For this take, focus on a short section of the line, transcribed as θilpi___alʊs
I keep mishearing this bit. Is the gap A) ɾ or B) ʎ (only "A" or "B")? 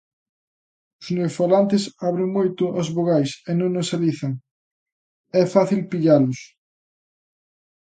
B